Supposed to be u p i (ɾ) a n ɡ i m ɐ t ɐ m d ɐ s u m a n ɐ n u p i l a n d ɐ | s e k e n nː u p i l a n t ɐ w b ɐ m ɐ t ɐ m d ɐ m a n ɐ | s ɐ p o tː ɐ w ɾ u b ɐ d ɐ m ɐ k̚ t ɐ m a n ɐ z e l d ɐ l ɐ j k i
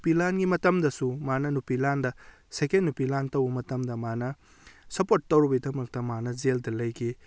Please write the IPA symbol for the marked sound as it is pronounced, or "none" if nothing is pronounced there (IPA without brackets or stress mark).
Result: l